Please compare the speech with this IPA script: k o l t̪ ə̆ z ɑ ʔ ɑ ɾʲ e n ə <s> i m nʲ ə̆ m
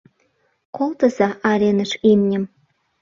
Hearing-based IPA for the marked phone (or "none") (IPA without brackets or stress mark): ʃ